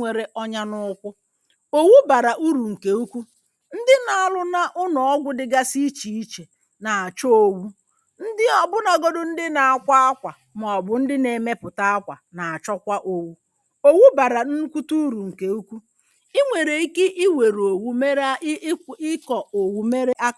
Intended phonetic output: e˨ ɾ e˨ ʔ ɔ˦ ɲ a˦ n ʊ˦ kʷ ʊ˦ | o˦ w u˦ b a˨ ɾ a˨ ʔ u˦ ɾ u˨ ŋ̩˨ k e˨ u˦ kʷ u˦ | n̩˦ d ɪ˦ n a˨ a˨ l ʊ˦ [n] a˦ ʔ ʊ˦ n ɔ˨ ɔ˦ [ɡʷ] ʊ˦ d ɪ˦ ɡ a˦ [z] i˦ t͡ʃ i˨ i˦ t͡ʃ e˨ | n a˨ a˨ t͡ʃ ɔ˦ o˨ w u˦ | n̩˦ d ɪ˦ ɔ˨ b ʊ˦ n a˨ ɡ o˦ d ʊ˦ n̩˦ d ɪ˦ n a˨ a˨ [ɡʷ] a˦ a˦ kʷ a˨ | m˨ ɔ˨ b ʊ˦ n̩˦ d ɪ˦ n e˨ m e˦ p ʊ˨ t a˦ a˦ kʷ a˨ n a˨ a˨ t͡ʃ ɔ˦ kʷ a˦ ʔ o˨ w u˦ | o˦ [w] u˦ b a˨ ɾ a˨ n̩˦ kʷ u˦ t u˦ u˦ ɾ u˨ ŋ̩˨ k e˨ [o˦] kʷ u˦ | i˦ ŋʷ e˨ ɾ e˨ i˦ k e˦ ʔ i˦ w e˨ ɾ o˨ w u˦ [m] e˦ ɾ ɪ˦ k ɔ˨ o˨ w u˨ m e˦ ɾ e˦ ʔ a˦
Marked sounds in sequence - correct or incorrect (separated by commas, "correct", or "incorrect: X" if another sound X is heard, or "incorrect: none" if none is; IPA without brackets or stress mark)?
correct, correct, incorrect: s, incorrect: kʷ, correct, incorrect: u˦, correct